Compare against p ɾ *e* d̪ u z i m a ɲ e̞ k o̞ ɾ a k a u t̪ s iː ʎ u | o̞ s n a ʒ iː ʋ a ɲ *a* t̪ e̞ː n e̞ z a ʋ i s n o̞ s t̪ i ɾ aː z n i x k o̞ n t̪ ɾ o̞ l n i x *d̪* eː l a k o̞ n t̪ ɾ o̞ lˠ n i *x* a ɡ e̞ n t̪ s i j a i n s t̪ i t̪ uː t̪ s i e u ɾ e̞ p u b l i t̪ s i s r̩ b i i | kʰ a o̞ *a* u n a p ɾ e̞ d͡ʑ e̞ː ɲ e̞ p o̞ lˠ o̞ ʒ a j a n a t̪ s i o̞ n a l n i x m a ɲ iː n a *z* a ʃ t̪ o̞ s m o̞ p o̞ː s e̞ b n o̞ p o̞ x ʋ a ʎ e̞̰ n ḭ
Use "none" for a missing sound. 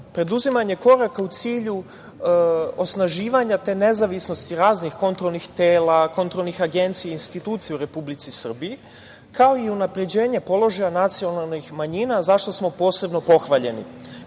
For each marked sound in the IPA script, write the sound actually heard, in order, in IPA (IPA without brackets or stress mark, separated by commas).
e, a, t̪, x, i, z